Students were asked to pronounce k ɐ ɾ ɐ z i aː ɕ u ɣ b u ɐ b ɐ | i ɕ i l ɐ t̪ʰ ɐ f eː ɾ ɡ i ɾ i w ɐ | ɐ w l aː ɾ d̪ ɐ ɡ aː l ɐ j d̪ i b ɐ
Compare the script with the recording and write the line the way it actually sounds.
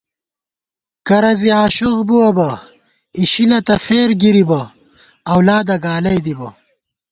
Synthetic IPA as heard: k ɐ ɾ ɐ z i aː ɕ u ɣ b u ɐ b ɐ | i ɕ i l ɐ t̪ ɐ f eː ɾ ɡ i ɾ i b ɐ | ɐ w l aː d̪ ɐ ɡ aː l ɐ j d̪ i b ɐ